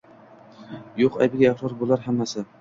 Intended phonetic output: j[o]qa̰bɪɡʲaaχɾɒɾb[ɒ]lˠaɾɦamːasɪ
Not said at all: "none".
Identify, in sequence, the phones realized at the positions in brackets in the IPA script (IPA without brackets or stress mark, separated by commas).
o, o